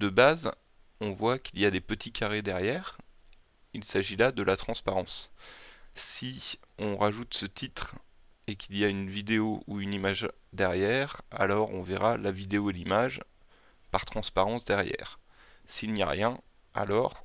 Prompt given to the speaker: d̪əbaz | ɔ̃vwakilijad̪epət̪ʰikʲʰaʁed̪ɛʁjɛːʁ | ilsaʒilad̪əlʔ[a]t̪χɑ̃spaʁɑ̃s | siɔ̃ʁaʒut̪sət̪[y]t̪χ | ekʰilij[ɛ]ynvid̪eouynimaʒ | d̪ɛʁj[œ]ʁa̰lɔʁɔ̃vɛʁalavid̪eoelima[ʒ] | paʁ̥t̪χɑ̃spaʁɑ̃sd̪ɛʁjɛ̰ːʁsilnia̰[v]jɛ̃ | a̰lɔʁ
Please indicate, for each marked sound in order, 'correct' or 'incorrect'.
correct, incorrect, incorrect, incorrect, correct, incorrect

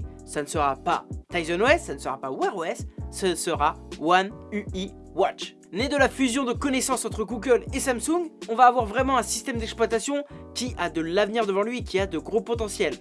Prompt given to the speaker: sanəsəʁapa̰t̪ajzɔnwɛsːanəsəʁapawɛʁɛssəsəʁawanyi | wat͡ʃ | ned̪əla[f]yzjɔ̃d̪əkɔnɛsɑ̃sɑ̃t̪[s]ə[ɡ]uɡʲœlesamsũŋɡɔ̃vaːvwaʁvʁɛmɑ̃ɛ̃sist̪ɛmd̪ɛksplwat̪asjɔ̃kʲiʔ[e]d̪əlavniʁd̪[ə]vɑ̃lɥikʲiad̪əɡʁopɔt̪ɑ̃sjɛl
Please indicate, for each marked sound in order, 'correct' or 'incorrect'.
correct, incorrect, correct, incorrect, correct

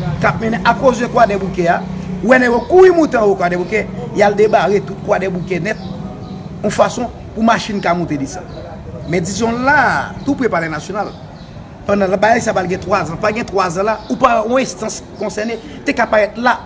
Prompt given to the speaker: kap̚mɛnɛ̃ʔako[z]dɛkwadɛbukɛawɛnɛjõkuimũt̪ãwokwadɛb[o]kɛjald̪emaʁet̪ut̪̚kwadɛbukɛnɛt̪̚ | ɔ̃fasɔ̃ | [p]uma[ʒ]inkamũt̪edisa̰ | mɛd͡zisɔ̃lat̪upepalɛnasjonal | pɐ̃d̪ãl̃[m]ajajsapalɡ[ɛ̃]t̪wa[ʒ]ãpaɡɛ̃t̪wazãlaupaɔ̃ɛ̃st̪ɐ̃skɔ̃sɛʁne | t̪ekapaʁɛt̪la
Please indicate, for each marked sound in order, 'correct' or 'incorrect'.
correct, incorrect, correct, incorrect, incorrect, correct, incorrect

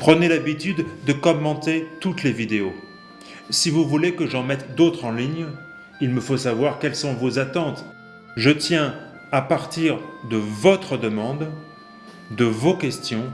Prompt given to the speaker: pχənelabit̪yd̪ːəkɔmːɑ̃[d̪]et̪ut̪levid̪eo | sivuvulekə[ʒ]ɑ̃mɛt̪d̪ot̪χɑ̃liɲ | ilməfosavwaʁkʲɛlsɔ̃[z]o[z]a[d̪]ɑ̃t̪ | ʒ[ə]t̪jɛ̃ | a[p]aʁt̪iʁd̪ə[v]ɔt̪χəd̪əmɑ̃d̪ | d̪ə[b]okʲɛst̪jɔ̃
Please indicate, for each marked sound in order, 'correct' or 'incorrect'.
incorrect, correct, incorrect, correct, incorrect, correct, correct, correct, incorrect

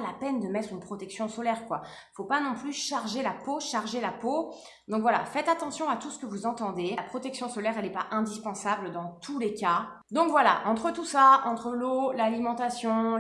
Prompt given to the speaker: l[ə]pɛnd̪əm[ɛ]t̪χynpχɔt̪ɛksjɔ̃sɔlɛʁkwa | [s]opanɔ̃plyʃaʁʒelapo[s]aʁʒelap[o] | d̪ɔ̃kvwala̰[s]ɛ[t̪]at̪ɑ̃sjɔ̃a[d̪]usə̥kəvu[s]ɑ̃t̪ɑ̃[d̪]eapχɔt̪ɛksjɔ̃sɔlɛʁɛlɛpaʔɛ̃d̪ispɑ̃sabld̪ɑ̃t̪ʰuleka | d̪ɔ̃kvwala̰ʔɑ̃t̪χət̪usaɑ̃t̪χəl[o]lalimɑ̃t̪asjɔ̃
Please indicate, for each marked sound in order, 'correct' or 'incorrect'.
incorrect, correct, incorrect, incorrect, correct, incorrect, correct, incorrect, incorrect, correct, correct

